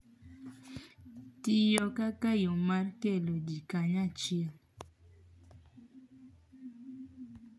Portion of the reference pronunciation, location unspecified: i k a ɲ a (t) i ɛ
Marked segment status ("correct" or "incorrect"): incorrect